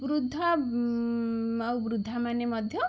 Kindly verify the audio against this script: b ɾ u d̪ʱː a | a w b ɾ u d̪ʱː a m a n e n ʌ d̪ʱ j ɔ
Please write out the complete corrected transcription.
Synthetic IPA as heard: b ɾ u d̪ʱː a | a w b ɾ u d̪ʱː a m a n e m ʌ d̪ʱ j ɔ